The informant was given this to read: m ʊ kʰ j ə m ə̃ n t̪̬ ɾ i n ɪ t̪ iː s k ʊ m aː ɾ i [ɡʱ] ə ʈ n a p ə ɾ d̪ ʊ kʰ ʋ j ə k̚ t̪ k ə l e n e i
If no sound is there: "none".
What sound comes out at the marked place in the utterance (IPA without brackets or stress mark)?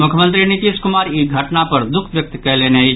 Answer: ɡʱ